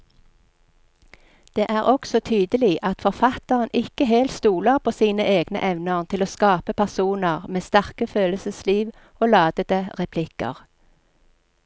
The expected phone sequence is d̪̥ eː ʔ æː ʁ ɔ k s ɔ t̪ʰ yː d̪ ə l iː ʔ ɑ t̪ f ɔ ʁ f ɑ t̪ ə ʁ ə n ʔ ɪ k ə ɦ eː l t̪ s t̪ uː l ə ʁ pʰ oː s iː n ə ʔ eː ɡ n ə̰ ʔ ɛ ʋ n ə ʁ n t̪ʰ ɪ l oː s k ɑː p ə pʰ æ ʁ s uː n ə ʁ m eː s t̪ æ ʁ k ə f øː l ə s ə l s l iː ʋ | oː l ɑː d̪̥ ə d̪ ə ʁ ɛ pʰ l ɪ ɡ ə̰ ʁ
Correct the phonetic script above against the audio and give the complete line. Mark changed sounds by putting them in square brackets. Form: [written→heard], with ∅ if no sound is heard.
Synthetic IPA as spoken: d̪̥ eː ʔ æː ʁ ɔ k s ɔ t̪ʰ yː d̪ ə l iː ʔ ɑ t̪ f ɔ ʁ f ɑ t̪ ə ʁ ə n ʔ ɪ k ə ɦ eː l t̪ s t̪ uː l ə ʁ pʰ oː s iː n ə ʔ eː ɡ n ə̰ ʔ ɛ ʋ n ə ʁ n t̪ʰ ɪ l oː s k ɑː p ə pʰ æ ʁ s uː n ə ʁ m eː s t̪ æ ʁ k ə f øː l ə s ə [l→∅] s l iː ʋ | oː l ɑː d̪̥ ə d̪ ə ʁ ɛ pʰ l ɪ [ɡ→k] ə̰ ʁ

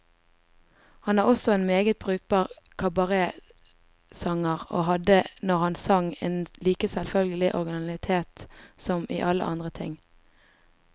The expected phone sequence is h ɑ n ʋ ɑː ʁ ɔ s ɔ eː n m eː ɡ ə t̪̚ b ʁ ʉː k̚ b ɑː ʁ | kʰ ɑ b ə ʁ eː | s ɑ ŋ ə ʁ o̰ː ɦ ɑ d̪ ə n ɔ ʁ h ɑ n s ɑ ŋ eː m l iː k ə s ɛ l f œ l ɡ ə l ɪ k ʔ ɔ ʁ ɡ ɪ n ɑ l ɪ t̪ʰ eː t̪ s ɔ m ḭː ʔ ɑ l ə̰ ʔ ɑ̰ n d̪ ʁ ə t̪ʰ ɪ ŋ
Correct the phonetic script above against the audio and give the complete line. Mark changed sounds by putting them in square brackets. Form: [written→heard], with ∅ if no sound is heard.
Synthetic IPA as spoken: h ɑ n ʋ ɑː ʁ ɔ s ɔ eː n m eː ɡ ə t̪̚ b ʁ ʉː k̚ b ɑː ʁ | kʰ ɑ b [ə→ɑ] ʁ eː | s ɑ ŋ ə ʁ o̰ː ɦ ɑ d̪ ə n ɔ ʁ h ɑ n s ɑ ŋ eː [m→n] l iː k ə s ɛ l f œ l ɡ ə l ɪ [k→∅] ʔ ɔ ʁ ɡ ɪ n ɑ l ɪ t̪ʰ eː t̪ s ɔ m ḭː ʔ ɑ l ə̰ ʔ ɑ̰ n d̪ ʁ ə t̪ʰ ɪ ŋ

